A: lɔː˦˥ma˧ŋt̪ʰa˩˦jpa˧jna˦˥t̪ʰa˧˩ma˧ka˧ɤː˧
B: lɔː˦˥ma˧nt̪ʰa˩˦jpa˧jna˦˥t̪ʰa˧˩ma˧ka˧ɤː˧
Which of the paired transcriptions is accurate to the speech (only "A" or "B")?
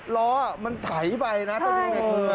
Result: B